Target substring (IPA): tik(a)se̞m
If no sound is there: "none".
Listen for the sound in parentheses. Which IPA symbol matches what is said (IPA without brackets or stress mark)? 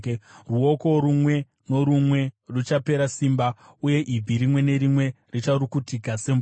a